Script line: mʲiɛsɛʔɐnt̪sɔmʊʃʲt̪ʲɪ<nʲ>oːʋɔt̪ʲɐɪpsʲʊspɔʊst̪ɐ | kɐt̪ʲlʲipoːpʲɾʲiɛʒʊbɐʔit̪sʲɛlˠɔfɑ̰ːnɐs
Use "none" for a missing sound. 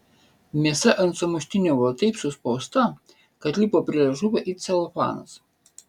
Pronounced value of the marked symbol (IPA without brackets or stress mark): nʲ